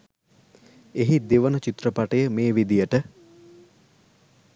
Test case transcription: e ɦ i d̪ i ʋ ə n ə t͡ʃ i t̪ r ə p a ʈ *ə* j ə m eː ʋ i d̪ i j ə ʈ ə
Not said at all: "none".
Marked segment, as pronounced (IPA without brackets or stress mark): ə